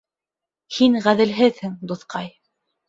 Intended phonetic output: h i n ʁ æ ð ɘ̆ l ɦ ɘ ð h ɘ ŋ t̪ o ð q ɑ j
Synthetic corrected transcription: h i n ʁ æ ð ɘ̆ l ɦ ɘ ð h ɘ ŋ d̪ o θ q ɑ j